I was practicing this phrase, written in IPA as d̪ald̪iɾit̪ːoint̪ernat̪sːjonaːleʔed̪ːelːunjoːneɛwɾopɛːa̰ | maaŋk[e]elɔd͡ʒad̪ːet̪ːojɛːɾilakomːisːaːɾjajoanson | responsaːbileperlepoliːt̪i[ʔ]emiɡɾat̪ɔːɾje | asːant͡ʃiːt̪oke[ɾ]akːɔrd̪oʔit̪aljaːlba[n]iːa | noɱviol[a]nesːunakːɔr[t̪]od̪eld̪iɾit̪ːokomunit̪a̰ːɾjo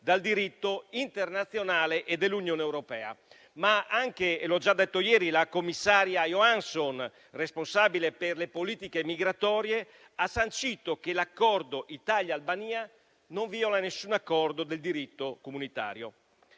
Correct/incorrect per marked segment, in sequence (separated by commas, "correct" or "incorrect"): correct, incorrect, incorrect, correct, correct, incorrect